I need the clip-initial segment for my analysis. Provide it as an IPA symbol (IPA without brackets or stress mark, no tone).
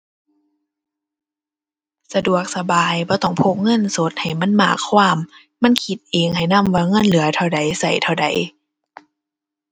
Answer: s